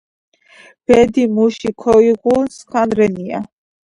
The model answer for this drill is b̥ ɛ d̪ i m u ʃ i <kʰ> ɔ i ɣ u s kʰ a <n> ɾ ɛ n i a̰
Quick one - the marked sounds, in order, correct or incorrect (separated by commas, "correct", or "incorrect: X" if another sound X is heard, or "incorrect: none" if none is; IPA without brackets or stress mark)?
correct, correct